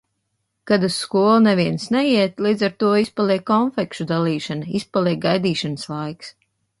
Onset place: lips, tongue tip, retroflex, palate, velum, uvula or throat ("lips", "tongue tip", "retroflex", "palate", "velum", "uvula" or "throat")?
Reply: velum